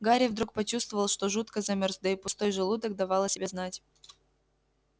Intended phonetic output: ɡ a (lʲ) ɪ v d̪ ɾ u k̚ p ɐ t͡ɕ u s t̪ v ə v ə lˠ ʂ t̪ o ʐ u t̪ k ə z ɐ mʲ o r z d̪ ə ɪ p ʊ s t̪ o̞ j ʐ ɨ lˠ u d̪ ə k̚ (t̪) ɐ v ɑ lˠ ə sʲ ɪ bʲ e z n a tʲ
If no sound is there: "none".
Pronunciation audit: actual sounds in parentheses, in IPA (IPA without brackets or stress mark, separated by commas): ɾʲ, d̪